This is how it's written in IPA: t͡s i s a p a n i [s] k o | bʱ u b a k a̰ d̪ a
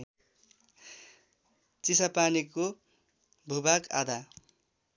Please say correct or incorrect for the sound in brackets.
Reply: incorrect